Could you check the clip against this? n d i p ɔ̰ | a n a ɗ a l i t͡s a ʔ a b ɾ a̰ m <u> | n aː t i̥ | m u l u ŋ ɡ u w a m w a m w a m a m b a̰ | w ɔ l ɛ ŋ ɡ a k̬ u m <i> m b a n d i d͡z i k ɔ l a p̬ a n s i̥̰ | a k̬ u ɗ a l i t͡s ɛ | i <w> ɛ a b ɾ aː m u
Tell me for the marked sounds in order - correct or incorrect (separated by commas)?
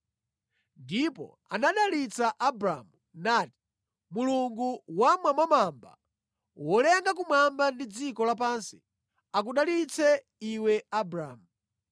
correct, incorrect, correct